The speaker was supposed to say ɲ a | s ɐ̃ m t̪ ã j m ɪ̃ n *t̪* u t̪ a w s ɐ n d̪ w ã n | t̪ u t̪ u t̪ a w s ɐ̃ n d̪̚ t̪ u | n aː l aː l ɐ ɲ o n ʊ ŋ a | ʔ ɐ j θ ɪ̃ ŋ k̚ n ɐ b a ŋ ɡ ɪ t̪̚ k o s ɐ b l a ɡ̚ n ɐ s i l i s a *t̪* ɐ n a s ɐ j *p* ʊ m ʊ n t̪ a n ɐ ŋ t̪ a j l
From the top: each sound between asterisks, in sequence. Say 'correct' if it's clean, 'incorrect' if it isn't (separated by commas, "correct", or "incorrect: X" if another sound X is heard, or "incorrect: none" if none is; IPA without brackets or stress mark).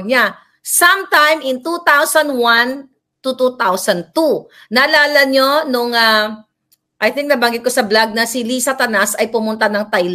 correct, correct, correct